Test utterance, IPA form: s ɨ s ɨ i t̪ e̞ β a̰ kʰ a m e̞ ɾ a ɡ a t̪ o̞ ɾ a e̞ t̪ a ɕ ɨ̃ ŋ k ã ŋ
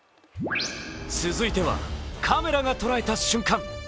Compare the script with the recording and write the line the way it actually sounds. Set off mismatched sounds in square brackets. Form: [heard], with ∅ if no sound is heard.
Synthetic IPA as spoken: s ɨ [z] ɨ i t̪ e̞ β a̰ kʰ a m e̞ ɾ a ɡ a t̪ o̞ ɾ a e̞ t̪ a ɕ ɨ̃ ŋ k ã ŋ